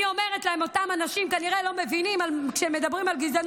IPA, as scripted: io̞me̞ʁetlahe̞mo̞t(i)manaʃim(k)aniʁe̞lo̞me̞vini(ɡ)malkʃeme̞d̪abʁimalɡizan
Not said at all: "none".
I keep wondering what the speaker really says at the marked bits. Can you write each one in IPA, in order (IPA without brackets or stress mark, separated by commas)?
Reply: a, k, none